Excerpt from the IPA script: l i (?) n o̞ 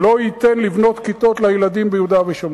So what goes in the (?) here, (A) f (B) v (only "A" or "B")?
B